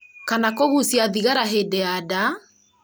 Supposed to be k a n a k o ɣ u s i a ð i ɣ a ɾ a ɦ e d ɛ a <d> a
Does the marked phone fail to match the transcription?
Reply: no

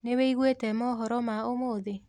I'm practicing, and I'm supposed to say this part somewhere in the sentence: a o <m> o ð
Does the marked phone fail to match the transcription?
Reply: no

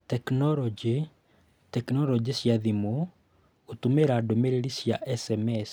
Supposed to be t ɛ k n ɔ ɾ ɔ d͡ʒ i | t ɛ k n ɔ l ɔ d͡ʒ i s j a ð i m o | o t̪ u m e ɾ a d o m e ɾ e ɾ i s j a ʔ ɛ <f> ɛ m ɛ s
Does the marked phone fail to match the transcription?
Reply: yes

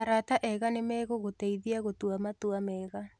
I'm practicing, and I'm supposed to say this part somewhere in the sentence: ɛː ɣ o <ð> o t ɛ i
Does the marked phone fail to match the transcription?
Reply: yes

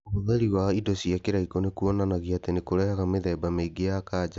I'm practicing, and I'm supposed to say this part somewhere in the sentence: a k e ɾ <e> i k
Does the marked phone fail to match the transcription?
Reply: yes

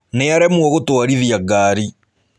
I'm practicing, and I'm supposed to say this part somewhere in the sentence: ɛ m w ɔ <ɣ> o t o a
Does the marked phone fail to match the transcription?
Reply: no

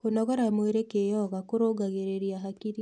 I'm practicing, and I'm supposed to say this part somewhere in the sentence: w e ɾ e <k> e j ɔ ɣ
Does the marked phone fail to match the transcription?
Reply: no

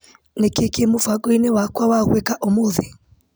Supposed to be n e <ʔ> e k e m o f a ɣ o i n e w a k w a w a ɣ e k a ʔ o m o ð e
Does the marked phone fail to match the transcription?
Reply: yes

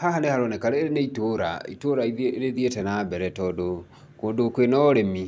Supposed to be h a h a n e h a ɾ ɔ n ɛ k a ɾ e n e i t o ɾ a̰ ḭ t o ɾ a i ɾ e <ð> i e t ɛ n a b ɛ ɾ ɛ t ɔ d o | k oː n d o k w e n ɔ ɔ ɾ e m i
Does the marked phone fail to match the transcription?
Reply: no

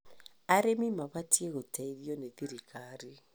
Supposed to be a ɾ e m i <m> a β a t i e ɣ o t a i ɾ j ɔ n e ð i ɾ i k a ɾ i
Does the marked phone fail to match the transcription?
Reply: no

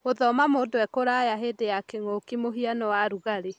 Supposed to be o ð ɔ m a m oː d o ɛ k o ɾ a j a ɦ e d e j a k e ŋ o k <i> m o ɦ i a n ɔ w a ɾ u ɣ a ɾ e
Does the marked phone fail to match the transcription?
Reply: no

